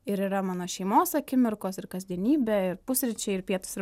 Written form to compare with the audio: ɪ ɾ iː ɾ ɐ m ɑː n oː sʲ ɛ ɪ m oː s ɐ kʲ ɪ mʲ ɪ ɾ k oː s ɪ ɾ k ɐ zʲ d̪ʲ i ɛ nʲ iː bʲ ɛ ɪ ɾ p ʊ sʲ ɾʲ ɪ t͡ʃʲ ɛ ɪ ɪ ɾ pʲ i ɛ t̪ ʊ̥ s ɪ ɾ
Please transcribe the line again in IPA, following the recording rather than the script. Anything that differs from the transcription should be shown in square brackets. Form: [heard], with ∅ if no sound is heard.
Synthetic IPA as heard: ɪ ɾ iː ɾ ɐ m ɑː n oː [ʃʲ] ɛ ɪ m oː s ɐ kʲ ɪ mʲ ɪ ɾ k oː s ɪ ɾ k ɐ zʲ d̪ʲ i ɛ nʲ iː bʲ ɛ ɪ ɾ p ʊ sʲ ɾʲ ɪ t͡ʃʲ ɛ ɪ ɪ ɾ pʲ i ɛ t̪ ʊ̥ s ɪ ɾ